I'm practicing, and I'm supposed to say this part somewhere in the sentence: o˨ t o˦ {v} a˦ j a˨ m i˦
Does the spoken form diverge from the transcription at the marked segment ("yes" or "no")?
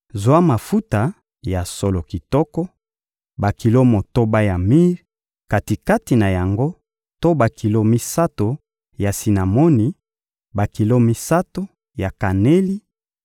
yes